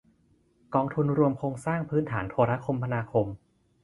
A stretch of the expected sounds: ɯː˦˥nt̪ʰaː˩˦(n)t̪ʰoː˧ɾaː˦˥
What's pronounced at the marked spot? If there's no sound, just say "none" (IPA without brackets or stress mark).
n